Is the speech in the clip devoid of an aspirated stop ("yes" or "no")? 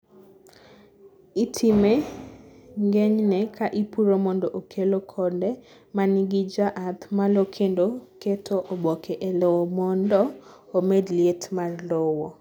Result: no